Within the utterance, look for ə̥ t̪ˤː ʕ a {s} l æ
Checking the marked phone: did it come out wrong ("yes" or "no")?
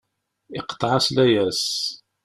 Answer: no